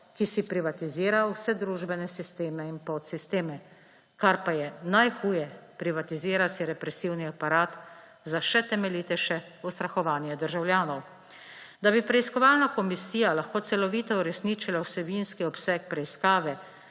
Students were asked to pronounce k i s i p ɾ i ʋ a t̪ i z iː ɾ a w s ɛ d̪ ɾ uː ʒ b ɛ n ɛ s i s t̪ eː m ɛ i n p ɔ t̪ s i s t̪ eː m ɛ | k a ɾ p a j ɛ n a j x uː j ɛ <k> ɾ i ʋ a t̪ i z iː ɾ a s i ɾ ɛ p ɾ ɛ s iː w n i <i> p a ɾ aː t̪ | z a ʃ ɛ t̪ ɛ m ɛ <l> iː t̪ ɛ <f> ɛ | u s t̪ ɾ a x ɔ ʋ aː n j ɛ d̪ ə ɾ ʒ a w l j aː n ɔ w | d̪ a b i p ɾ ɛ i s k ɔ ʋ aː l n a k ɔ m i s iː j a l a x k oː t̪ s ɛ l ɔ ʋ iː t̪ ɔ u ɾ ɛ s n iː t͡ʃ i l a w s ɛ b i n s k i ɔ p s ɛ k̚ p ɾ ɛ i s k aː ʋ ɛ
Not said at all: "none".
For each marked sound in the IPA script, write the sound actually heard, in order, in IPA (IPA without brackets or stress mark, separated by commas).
p, a, l, ʃ